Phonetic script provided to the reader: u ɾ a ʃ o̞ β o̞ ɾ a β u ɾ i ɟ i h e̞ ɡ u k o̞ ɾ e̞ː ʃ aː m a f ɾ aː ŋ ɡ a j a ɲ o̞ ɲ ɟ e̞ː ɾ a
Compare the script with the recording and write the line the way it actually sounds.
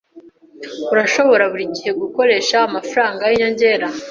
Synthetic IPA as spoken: u ɾ a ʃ o̞ β o̞ ɾ a β u ɾ i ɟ i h e̞ ɡ u k o̞ ɾ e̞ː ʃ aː m a f ɾ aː ŋ ɡ a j i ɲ o̞ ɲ ɟ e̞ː ɾ a